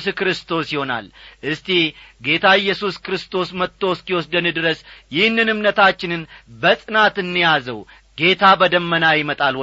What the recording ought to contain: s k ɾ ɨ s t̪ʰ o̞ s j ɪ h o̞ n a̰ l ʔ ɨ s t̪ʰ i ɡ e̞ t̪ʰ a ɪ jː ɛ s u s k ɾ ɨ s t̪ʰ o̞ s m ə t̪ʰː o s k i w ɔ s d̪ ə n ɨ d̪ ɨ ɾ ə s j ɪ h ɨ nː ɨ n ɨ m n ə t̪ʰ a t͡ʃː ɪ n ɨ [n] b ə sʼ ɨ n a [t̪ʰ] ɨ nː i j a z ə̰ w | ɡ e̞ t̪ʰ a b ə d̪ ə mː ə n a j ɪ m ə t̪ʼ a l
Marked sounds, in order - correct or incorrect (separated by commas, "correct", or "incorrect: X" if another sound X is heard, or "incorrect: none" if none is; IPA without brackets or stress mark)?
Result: correct, incorrect: t̪